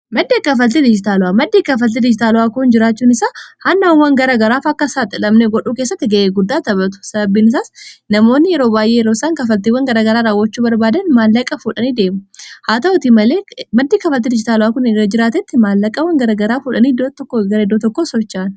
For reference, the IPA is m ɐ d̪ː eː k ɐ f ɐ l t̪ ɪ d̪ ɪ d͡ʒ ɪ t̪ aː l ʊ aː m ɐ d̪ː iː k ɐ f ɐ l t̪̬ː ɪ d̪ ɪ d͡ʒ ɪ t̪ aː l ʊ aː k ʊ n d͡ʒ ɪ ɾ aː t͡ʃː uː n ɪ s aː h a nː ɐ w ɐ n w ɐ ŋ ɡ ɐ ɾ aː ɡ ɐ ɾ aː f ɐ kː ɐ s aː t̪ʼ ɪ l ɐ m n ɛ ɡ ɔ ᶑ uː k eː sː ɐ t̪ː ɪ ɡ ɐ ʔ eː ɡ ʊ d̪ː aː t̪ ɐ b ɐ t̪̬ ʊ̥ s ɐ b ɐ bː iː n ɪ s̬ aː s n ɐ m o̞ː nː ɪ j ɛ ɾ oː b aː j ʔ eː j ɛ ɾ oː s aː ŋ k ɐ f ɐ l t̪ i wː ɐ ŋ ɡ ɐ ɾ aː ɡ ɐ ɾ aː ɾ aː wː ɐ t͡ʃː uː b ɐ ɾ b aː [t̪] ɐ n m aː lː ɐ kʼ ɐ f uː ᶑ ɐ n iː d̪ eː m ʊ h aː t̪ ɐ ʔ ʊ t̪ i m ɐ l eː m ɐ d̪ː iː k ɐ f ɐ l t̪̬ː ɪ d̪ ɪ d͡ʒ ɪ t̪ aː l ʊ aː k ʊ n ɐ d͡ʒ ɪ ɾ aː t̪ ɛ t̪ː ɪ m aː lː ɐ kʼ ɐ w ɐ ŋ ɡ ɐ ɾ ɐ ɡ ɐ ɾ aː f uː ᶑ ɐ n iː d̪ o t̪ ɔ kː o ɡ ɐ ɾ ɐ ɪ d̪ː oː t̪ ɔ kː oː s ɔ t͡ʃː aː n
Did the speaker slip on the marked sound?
yes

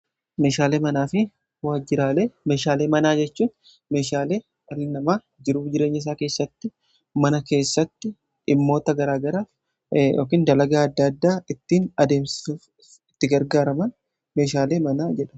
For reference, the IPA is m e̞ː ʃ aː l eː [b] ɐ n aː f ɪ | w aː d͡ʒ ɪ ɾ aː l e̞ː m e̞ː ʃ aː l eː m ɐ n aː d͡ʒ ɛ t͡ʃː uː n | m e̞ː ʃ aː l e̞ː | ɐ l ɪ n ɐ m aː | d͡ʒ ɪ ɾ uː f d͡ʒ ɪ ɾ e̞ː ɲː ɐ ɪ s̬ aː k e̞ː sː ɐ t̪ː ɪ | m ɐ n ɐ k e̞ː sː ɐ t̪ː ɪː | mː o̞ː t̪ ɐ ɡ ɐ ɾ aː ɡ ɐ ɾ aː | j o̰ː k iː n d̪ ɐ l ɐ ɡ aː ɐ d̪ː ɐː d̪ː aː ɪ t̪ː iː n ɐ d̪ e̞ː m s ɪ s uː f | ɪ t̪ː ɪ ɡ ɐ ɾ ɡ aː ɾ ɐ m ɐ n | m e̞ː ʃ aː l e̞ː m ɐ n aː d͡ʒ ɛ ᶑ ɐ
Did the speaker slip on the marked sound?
yes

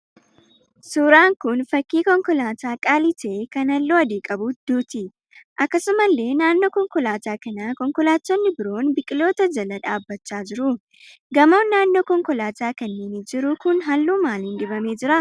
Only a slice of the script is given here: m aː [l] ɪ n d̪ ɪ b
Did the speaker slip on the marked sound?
no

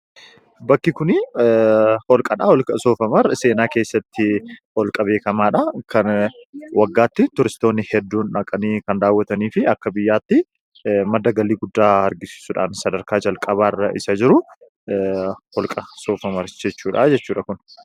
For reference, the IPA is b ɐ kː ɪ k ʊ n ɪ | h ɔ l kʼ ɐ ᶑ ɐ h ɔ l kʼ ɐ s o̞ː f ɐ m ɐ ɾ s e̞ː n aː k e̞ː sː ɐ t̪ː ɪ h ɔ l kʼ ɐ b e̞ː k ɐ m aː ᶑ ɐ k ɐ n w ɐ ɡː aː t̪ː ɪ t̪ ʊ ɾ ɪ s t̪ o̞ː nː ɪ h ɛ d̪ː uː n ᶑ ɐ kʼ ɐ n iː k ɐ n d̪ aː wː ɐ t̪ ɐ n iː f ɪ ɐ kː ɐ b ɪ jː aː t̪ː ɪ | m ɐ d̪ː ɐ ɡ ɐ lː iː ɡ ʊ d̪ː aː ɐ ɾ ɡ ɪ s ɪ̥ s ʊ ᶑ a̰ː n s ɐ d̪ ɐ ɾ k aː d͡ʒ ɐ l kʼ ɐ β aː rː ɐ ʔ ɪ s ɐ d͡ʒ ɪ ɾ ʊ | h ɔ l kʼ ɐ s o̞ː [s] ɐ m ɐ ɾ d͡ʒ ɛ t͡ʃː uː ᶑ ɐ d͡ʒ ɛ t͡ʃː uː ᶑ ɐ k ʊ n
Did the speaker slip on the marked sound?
yes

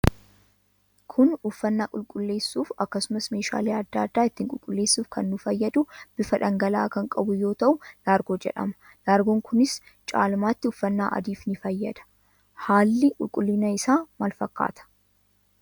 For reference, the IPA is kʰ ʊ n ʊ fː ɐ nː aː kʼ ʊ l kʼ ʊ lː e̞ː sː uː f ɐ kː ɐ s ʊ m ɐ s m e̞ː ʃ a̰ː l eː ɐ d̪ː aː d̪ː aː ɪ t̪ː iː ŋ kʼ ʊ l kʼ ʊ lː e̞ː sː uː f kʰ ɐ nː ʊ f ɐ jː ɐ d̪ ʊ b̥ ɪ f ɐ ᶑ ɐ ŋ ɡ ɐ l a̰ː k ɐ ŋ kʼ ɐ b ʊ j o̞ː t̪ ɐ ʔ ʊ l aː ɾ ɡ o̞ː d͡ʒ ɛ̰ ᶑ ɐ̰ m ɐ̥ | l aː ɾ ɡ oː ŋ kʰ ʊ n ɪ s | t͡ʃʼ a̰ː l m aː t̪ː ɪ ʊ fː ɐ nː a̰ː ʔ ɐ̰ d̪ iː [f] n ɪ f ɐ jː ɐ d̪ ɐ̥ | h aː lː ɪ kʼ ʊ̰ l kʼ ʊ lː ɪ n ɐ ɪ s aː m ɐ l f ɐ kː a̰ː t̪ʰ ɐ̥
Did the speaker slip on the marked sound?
no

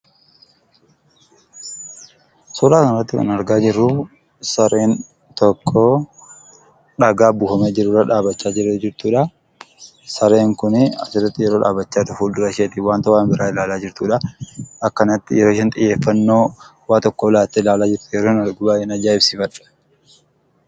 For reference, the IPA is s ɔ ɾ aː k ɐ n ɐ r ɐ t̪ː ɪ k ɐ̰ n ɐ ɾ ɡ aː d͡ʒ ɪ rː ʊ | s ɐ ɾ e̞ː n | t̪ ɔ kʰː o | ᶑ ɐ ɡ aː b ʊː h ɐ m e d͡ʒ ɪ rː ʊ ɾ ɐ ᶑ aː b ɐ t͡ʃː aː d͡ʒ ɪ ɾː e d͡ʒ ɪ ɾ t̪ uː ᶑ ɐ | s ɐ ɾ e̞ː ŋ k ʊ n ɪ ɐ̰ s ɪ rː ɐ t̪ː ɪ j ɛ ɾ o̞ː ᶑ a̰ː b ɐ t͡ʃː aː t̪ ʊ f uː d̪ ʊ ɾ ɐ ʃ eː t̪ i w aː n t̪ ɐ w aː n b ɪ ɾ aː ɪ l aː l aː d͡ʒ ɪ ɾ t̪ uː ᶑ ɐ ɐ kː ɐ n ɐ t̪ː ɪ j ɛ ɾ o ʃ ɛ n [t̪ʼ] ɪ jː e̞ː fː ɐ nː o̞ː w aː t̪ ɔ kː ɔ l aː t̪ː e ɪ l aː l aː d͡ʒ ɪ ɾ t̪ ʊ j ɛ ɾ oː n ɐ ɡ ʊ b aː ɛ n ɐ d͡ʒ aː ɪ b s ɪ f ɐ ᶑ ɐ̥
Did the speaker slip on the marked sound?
no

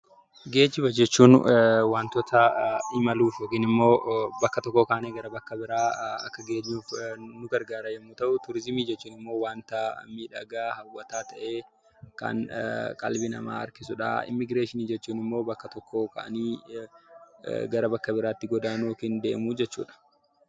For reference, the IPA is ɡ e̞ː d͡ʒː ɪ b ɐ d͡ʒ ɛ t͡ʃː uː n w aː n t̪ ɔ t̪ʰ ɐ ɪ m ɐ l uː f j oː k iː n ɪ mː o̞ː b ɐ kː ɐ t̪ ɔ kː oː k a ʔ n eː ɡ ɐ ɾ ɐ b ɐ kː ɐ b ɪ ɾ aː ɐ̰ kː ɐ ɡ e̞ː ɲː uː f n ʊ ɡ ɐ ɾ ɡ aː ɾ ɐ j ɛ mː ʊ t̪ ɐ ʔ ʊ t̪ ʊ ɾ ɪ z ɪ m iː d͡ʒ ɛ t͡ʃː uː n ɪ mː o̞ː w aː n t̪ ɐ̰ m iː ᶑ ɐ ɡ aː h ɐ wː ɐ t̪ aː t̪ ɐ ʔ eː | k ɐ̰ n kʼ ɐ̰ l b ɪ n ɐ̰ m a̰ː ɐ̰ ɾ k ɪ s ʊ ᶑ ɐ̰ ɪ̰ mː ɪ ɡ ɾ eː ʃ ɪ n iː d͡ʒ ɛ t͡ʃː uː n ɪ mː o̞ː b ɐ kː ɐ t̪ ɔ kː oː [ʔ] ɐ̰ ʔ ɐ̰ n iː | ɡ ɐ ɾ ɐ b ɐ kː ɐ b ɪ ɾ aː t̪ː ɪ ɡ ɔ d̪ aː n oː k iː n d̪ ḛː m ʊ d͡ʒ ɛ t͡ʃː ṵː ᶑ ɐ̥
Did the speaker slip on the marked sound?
yes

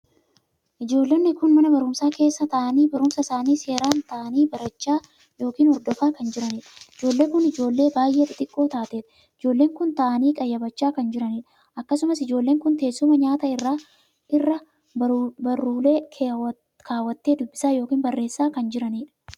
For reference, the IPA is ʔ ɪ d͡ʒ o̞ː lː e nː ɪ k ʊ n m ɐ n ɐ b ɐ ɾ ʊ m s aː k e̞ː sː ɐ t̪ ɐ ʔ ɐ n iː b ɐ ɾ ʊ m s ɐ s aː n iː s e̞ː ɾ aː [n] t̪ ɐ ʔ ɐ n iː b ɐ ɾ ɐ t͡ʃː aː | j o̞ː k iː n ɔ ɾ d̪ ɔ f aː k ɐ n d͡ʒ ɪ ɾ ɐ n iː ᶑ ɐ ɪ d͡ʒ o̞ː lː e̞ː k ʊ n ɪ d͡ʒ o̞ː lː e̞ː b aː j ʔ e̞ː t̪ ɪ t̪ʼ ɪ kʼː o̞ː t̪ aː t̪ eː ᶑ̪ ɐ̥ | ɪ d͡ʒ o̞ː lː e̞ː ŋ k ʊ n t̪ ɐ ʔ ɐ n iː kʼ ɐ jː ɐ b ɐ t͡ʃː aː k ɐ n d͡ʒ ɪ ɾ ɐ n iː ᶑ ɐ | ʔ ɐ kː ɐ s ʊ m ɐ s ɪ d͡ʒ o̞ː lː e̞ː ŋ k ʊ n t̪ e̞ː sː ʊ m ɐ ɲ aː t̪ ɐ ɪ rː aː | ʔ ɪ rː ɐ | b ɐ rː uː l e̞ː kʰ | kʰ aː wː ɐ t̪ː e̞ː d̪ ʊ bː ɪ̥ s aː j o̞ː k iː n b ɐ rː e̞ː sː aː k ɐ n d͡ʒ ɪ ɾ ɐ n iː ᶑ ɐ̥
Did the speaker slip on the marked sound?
no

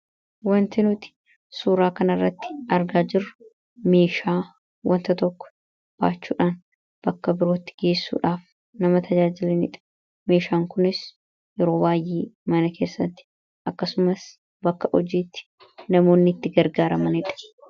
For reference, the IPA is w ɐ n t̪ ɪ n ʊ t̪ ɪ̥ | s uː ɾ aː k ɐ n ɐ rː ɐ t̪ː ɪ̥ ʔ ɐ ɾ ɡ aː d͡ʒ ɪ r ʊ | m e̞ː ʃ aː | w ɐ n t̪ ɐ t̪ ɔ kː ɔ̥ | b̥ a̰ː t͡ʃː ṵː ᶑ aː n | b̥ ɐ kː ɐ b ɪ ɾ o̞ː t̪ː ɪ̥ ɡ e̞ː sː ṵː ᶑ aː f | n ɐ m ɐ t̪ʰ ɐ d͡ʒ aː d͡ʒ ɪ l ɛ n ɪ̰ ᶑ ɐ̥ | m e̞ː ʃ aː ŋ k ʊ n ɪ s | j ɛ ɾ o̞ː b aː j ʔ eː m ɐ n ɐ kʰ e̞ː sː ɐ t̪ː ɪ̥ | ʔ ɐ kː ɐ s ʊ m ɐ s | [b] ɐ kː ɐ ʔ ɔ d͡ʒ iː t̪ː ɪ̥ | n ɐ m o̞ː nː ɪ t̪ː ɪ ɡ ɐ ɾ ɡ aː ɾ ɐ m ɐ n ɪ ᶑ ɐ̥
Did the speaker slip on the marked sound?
no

